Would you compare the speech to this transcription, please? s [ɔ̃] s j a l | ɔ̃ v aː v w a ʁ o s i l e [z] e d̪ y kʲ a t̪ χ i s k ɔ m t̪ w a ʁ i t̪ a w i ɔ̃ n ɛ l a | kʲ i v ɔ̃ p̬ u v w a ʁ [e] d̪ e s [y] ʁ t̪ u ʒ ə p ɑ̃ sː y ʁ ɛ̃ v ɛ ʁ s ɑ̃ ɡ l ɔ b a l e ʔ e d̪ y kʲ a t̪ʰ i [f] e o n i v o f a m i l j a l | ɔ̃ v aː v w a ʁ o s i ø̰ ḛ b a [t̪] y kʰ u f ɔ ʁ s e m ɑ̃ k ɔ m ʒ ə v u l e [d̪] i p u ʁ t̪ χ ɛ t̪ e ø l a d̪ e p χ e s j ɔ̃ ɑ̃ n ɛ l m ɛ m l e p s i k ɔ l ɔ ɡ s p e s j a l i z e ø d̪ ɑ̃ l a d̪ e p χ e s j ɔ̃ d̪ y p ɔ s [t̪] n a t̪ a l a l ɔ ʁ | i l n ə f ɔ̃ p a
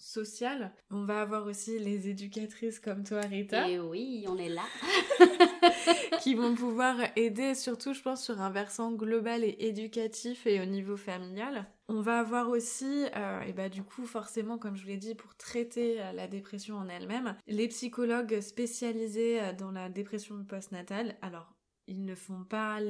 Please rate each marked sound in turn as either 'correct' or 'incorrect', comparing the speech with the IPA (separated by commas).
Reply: incorrect, correct, correct, correct, correct, incorrect, correct, correct